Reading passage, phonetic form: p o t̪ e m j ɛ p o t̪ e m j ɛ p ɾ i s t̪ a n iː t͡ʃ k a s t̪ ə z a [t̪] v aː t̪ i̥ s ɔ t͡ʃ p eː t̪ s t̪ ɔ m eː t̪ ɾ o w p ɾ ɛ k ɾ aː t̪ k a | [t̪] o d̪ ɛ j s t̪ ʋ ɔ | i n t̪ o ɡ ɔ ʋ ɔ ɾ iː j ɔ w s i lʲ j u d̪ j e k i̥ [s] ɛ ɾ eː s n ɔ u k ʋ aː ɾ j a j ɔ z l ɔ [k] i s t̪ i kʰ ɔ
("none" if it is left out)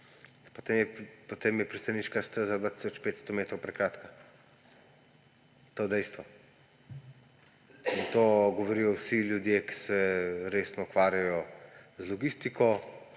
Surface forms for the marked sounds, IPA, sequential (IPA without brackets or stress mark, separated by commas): d̪, t̪, s, ɡ